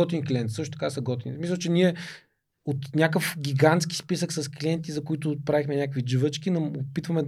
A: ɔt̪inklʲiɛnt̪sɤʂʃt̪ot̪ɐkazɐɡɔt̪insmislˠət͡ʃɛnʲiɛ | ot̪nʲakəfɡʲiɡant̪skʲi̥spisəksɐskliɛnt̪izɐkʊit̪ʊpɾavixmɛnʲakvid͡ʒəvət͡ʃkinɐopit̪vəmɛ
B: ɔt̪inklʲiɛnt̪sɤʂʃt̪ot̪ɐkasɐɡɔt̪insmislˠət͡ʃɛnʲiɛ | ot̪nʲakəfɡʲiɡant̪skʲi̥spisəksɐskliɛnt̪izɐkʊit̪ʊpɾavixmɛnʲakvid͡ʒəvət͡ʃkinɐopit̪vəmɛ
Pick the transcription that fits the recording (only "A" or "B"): B